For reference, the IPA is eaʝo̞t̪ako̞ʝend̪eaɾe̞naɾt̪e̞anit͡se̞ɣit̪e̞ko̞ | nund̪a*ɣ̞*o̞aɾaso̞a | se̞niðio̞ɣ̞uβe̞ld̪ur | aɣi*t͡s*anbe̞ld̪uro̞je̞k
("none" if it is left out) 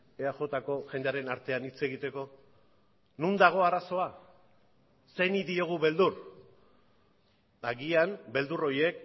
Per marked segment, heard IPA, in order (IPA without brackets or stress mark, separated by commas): ɣ̞, none